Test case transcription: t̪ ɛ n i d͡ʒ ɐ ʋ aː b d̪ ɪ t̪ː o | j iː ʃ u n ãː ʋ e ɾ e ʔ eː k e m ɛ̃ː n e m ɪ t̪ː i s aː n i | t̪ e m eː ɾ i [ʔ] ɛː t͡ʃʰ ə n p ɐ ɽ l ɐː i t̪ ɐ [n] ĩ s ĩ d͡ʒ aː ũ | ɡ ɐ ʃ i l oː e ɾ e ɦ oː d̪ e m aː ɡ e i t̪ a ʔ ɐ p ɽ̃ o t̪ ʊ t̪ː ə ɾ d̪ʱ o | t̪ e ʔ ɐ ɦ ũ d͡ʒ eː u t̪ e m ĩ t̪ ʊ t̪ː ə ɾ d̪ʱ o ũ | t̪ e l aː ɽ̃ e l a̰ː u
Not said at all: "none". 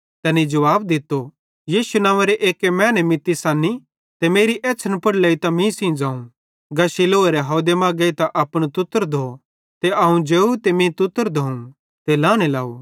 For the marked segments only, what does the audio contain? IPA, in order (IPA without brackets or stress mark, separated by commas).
ʔ, m